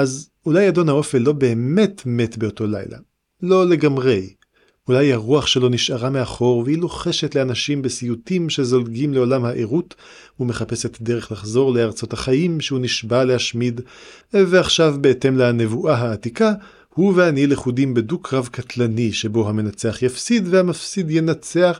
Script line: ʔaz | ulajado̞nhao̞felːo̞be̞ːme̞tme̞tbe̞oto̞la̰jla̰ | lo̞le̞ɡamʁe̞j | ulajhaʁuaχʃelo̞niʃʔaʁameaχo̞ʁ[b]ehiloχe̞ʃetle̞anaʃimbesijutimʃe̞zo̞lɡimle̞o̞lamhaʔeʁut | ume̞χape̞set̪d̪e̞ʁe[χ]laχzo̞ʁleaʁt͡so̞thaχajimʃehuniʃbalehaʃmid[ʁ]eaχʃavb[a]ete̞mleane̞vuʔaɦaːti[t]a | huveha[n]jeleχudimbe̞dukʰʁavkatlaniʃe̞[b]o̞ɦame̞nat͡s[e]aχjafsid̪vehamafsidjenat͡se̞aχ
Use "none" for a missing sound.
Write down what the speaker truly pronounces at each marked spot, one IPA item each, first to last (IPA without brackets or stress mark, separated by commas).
v, χ, v, e, k, n, b, e